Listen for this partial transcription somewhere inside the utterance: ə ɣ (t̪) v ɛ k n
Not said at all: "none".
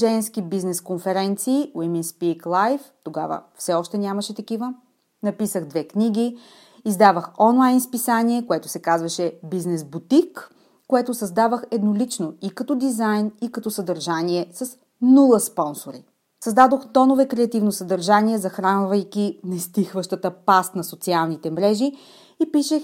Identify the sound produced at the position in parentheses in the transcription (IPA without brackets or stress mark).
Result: d̪